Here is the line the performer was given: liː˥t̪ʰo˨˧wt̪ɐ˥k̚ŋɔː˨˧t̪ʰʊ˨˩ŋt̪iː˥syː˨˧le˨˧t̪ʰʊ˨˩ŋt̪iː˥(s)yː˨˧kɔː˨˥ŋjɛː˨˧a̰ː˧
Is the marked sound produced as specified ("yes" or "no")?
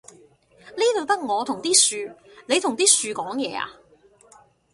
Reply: yes